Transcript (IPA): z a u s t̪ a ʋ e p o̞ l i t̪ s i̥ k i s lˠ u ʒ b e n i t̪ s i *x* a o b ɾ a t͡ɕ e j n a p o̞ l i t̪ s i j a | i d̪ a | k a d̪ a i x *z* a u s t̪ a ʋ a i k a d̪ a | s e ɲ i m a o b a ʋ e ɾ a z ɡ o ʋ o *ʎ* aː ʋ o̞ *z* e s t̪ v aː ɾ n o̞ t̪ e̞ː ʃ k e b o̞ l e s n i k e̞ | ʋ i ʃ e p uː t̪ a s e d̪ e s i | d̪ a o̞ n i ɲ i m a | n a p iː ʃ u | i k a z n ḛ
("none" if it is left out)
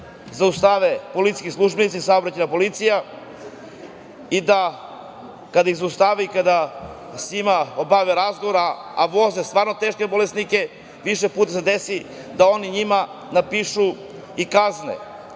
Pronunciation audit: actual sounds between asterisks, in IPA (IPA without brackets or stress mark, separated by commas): s, z, ɾ, z